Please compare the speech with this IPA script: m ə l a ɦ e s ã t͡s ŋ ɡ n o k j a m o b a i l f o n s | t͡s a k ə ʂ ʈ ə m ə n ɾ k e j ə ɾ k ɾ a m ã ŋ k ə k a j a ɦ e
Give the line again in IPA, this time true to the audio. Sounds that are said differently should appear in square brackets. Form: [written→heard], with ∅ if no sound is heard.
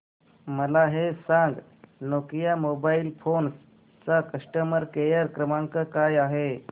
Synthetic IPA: m ə l a ɦ e s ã [t͡s→∅] ŋ ɡ n o k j a m o b a i l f o n s | t͡s a k ə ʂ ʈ ə m ə [n→∅] ɾ k e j ə ɾ k ɾ [a→ə] m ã ŋ k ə k a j a ɦ e